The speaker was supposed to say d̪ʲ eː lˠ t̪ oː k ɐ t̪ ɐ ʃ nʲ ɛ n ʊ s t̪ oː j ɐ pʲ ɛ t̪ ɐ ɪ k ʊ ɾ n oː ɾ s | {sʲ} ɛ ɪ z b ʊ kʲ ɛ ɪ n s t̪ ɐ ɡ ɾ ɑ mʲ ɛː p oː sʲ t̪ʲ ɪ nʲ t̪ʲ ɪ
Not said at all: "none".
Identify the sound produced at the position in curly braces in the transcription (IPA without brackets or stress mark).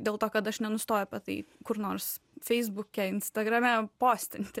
fʲ